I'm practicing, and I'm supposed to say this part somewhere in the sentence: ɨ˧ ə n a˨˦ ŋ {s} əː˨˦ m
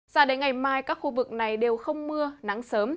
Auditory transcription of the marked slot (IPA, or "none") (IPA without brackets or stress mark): s